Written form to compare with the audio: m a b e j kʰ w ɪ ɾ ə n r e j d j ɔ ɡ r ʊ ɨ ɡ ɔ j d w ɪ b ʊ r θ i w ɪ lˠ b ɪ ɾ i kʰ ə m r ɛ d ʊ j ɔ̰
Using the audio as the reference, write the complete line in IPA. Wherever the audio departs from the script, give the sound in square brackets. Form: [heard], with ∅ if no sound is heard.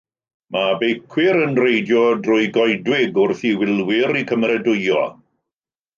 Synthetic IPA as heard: m a b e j kʰ w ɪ ɾ ə n r e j d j ɔ [d] r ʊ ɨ ɡ ɔ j d w ɪ [ɡ] ʊ r θ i w ɪ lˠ [w] ɪ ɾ i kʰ ə m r ɛ d ʊ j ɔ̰